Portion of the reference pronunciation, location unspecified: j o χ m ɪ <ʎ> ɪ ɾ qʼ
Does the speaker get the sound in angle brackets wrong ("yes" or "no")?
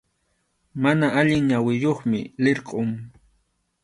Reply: yes